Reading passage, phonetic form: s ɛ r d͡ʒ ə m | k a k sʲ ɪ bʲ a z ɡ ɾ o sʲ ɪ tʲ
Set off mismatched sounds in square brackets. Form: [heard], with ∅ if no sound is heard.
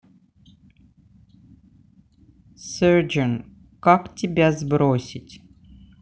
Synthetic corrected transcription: s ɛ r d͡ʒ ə [n] | k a k [tʲ] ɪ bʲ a z [b] ɾ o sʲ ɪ tʲ